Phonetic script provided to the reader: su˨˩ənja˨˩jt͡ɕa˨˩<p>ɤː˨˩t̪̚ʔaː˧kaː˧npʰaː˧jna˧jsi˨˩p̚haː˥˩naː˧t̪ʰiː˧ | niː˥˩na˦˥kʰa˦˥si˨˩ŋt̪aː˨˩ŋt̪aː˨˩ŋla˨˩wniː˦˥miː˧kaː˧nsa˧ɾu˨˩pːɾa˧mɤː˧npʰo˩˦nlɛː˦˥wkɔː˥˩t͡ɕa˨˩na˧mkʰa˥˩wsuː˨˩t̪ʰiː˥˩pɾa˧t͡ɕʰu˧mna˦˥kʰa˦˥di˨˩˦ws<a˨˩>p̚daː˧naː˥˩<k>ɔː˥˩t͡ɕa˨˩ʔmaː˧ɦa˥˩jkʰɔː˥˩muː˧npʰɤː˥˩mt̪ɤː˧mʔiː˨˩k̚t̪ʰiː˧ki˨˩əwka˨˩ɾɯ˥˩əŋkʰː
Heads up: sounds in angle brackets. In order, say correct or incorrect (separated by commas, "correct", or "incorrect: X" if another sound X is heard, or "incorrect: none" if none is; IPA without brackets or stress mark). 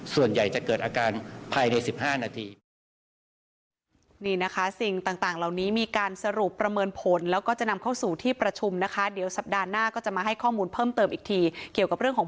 incorrect: k, correct, correct